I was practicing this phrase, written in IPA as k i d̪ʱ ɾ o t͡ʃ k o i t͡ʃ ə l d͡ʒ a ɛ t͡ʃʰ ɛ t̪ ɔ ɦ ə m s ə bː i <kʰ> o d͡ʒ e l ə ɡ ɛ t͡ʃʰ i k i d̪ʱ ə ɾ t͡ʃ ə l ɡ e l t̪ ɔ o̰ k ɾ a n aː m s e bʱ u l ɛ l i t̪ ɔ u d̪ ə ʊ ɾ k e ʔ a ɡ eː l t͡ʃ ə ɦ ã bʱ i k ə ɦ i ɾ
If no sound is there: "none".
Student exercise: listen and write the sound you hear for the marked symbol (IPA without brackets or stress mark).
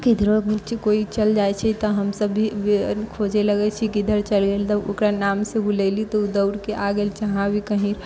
kʰ